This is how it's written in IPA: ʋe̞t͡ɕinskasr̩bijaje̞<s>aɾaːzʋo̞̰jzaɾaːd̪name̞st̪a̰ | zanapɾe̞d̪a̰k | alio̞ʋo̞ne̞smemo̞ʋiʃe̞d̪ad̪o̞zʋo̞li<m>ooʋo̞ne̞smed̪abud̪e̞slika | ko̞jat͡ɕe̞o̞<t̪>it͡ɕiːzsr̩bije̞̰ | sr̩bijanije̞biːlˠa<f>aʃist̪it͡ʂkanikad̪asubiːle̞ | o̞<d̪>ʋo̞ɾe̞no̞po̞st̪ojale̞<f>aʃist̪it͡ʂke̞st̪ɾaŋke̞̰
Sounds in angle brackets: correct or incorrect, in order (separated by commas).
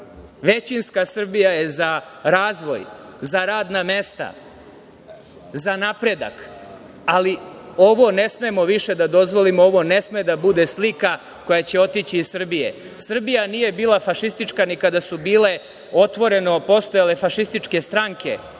incorrect, correct, correct, correct, incorrect, correct